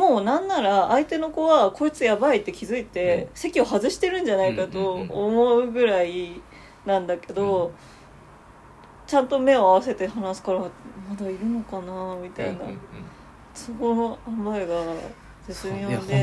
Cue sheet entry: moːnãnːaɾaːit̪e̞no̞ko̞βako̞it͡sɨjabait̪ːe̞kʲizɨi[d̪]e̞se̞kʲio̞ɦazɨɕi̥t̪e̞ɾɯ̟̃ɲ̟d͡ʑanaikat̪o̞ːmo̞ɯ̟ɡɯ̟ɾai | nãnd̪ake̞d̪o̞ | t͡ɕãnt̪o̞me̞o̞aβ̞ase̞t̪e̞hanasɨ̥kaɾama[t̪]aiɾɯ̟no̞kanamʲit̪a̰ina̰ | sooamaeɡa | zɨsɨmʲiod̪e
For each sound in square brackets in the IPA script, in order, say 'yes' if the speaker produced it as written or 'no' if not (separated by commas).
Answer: no, no